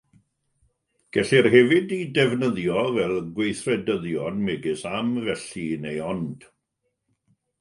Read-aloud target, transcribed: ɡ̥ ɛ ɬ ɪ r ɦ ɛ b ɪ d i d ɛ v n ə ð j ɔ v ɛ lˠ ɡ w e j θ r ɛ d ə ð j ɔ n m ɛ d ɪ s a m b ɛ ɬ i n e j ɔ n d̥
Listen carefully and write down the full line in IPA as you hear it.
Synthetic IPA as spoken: ɡ̥ ɛ ɬ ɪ r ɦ ɛ v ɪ d i d ɛ v n ə ð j ɔ v ɛ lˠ ɡ w e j θ r ɛ d ə ð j ɔ n m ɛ ɡ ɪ s a m v ɛ ɬ i n e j ɔ n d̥